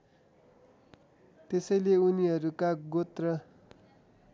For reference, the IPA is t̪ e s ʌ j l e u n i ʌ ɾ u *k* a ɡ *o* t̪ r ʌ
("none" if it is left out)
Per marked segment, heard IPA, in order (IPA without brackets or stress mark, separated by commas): k, o